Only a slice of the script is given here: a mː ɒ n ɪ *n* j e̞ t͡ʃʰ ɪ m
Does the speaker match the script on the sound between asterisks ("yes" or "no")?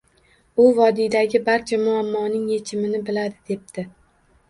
no